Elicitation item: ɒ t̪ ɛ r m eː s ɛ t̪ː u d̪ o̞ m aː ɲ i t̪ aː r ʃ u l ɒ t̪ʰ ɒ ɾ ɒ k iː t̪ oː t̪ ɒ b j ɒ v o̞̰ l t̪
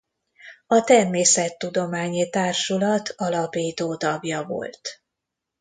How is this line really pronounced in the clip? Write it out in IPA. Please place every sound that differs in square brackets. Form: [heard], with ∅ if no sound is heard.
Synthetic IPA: ɒ t̪ ɛ r m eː s ɛ t̪ː u d̪ o̞ m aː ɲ i t̪ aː r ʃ u l ɒ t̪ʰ ɒ [l] ɒ [p] iː t̪ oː t̪ ɒ b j ɒ v o̞̰ l t̪